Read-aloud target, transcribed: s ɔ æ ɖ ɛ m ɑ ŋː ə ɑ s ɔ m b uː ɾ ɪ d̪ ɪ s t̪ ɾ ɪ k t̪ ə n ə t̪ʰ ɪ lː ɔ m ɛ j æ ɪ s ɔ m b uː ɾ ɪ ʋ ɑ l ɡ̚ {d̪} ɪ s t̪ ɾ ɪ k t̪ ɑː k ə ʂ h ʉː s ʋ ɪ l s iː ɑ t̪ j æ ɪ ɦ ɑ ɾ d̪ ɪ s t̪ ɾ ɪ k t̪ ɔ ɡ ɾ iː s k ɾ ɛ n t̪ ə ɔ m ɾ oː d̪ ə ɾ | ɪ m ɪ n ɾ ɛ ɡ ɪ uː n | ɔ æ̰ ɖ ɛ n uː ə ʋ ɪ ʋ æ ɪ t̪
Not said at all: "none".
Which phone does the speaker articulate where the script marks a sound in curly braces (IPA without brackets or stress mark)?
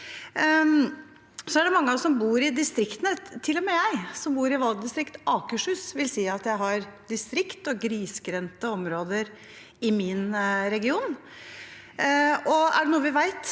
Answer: d̪